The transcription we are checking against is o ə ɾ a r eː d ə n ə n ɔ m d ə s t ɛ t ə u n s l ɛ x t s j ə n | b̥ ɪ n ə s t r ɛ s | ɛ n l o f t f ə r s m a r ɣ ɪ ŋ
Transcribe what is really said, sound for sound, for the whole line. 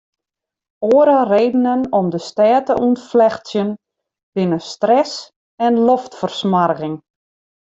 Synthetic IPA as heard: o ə ɾ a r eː d ə n ə n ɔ m d ə s t ɛː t ə u n f l ɛ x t s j ə n | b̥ ɪ n ə s t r ɛ s | ɛ n l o f t f ə r s m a r ɣ ɪ ŋ